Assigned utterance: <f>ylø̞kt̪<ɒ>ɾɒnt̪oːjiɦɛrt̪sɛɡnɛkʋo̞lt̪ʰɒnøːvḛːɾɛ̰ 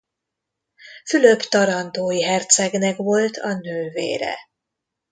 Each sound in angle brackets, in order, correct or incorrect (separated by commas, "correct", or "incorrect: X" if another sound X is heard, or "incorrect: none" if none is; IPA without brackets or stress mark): correct, correct